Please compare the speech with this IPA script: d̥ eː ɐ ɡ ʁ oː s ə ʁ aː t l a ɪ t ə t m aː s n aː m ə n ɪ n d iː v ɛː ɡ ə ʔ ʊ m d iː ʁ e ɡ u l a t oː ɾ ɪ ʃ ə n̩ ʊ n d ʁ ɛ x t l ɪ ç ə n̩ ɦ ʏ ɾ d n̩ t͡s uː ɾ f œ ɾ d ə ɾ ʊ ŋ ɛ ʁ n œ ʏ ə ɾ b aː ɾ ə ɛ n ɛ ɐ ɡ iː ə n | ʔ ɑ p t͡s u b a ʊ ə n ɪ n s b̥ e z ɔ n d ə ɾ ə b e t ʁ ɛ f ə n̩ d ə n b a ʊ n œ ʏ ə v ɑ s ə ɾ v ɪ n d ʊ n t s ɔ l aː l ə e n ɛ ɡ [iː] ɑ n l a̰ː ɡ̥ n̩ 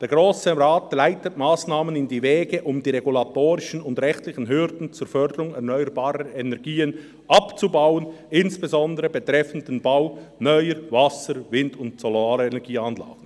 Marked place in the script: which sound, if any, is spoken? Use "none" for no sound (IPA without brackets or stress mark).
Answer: iː